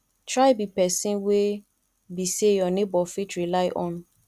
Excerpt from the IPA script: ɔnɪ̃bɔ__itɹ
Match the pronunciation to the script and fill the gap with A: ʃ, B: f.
B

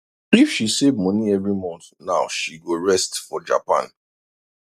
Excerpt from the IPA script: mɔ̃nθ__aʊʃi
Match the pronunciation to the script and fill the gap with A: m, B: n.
B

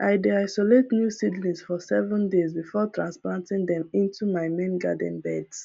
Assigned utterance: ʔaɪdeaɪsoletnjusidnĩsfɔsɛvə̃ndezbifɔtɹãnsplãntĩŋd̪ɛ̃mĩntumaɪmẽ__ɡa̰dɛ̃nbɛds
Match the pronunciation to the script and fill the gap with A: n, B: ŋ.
A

